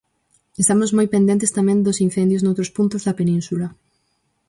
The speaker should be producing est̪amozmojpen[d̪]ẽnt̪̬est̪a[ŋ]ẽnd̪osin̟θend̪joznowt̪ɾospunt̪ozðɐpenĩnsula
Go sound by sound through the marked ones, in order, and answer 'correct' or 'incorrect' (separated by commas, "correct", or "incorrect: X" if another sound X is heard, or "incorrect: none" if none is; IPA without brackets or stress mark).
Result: correct, incorrect: m